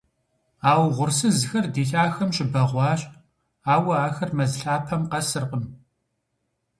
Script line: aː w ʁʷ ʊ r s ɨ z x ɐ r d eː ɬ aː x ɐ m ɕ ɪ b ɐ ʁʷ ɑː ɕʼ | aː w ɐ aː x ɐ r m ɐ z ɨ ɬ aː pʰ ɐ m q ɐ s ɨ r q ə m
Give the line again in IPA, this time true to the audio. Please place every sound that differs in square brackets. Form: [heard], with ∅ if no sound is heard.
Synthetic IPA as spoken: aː w ʁʷ ʊ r s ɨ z x ɐ r d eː ɬ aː x ɐ m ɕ ɪ b ɐ ʁʷ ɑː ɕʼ | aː w ɐ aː x ɐ r m ɐ z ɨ ɬ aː pʰ ɐ m q ɐ s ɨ r q ə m

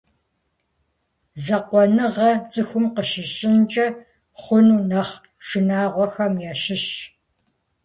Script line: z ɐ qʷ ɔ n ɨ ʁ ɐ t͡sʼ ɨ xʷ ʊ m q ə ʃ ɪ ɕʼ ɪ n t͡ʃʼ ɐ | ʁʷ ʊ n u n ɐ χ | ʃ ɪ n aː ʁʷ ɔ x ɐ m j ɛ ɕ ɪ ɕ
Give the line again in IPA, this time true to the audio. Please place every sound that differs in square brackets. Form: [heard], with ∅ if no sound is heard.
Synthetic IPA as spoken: z ɐ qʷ ɔ n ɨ ʁ ɐ t͡sʼ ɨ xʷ ʊ m q ə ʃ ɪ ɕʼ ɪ n t͡ʃʼ ɐ | [χʷ] ʊ n u n ɐ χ | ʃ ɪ n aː ʁʷ ɔ x ɐ m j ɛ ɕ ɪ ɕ

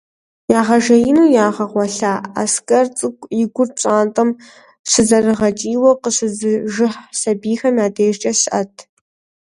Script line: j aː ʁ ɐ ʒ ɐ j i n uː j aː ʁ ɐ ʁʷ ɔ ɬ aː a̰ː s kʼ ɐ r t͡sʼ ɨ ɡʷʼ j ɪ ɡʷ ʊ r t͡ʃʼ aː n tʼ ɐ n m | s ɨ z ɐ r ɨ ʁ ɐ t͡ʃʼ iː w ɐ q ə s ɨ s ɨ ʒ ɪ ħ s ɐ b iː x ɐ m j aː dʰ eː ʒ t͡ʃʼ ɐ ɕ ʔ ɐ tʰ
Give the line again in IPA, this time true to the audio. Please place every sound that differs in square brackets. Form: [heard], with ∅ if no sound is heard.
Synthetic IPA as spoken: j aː ʁ ɐ ʒ ɐ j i n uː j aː ʁ ɐ ʁʷ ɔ ɬ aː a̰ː s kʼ ɐ r t͡sʼ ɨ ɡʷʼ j ɪ ɡʷ ʊ r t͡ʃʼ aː n tʼ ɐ [∅] m | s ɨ z ɐ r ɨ ʁ ɐ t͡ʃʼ iː w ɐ q ə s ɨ [z] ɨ ʒ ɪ ħ s ɐ b iː x ɐ m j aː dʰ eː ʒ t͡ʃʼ ɐ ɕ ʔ ɐ tʰ

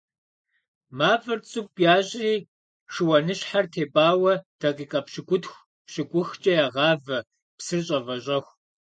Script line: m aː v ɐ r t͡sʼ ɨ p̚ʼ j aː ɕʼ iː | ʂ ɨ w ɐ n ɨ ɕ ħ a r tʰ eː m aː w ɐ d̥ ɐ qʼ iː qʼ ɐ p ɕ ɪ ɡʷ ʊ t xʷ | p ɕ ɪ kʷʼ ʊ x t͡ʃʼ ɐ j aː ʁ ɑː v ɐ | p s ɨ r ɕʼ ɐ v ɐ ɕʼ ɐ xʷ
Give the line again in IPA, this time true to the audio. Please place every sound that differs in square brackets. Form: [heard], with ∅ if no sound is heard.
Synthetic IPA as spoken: m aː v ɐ r t͡sʼ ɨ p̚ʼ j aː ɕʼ iː | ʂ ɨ w ɐ n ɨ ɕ ħ a r tʰ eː [b] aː w ɐ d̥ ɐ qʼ iː qʼ ɐ p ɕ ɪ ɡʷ ʊ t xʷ | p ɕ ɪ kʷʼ ʊ x t͡ʃʼ ɐ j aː ʁ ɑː v ɐ | p s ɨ r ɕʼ ɐ v ɐ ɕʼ ɐ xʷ

